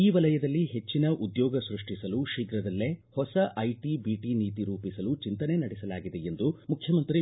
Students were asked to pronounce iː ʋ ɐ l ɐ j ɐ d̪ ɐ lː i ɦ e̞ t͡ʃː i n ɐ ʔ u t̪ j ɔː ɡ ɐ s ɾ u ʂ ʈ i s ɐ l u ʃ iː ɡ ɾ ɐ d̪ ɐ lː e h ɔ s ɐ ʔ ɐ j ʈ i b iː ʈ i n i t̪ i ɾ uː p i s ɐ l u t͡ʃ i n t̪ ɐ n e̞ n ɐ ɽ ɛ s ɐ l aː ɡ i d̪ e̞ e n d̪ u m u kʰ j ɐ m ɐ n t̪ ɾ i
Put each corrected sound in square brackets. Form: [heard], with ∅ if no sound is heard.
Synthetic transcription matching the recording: iː ʋ ɐ l ɐ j ɐ d̪ ɐ lː i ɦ e̞ t͡ʃː i n ɐ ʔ u [d̪] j ɔː ɡ ɐ s ɾ u ʂ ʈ i s ɐ l u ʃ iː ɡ ɾ ɐ d̪ ɐ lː e h ɔ s ɐ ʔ ɐ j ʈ i b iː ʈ i n [iː] t̪ i ɾ uː p i s ɐ l u t͡ʃ i n t̪ ɐ n e̞ n ɐ ɽ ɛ s ɐ l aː ɡ i d̪ e̞ e n d̪ u m u kʰ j ɐ m ɐ n t̪ ɾ i